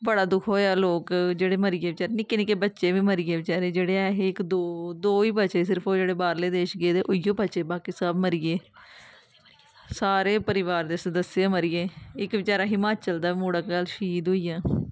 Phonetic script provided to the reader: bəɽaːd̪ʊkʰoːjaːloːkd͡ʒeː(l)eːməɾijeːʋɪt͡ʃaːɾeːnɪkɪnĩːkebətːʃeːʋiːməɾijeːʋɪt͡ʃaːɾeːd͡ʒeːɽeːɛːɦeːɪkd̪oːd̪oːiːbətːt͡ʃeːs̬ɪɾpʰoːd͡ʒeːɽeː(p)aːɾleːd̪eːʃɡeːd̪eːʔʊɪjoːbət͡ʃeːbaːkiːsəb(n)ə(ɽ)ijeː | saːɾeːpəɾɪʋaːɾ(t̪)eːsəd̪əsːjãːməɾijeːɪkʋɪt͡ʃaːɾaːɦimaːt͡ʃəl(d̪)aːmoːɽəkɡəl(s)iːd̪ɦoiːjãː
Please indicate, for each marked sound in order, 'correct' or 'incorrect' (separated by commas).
incorrect, incorrect, incorrect, incorrect, incorrect, correct, incorrect